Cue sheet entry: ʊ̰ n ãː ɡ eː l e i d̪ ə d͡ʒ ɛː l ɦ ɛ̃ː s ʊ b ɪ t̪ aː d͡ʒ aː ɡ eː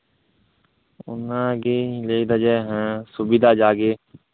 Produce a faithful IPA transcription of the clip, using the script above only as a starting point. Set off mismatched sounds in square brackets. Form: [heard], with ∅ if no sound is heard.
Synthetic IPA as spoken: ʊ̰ n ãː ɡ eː l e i d̪ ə d͡ʒ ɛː [∅] ɦ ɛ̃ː s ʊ b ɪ [d̪] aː d͡ʒ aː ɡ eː